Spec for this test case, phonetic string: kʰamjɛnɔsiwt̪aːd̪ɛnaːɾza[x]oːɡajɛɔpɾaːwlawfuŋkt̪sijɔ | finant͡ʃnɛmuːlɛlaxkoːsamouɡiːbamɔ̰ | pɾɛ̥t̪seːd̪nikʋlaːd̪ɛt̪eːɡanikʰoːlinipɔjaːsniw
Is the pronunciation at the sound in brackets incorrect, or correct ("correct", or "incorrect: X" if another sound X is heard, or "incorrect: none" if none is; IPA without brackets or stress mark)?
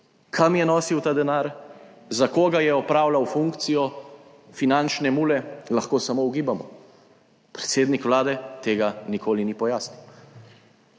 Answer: incorrect: k